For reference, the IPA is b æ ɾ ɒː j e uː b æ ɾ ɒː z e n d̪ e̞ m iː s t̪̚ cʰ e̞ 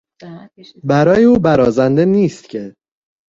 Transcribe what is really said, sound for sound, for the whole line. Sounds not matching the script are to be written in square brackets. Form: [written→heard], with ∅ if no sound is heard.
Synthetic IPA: b æ ɾ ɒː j e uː b æ ɾ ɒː z [e→æ] n d̪ e̞ [m→n] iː s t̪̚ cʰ e̞

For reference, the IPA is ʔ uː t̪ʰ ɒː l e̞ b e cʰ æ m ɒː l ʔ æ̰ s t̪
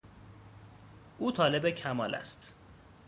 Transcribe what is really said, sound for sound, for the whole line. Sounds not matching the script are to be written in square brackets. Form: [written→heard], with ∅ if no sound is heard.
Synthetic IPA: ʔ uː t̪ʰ ɒː l e̞ b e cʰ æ m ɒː l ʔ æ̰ s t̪

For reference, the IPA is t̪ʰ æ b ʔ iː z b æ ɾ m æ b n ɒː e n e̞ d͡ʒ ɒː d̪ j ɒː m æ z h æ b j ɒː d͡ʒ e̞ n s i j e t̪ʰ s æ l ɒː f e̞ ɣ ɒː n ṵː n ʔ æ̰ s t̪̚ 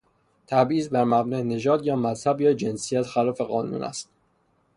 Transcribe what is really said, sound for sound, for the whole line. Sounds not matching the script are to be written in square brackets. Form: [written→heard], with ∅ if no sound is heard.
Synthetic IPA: t̪ʰ æ b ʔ iː z b æ ɾ m æ b n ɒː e n e̞ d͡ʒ ɒː d̪ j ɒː m æ z h æ b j ɒː d͡ʒ e̞ n s i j [e→æ] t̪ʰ [s→x] æ l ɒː f e̞ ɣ ɒː n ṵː n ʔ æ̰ s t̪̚

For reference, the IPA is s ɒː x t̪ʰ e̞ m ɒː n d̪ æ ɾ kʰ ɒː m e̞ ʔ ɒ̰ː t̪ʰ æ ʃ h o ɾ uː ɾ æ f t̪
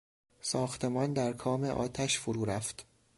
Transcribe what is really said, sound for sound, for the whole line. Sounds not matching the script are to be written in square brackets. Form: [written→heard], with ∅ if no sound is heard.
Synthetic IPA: s ɒː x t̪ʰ e̞ m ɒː n d̪ æ ɾ kʰ ɒː m e̞ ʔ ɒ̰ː t̪ʰ æ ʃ [h→f] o ɾ uː ɾ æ f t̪

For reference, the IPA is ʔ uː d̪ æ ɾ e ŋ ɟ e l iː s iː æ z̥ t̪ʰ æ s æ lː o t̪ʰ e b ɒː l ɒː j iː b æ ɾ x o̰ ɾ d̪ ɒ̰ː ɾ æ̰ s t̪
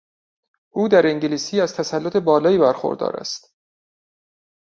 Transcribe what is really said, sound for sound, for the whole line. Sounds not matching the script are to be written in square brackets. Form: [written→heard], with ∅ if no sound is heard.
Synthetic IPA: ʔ uː d̪ æ ɾ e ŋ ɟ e l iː s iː æ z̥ t̪ʰ æ s æ lː o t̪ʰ e b ɒː l ɒː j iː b æ ɾ x o̰ ɾ d̪ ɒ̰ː ɾ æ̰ s t̪

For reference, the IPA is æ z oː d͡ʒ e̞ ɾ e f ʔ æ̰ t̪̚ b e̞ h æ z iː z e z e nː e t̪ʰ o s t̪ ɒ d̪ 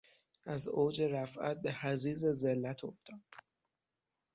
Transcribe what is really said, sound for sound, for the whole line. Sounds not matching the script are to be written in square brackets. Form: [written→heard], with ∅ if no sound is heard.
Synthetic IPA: æ z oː d͡ʒ e̞ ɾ [e→æ] f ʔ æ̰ t̪̚ b e̞ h æ z iː z e z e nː [e→æ] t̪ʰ o [s→f] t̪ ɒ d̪

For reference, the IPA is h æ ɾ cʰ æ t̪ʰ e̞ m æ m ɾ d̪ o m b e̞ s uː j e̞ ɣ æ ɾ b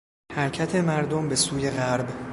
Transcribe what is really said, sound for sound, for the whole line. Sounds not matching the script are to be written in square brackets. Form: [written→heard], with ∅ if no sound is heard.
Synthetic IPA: h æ ɾ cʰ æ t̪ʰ e̞ m æ [m→∅] ɾ d̪ o m b e̞ s uː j e̞ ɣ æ ɾ b

